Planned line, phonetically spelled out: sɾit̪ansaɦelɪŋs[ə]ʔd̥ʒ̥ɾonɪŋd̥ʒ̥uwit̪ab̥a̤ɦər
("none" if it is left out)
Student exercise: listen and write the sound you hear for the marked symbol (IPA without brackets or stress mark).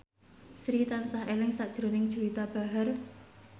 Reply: a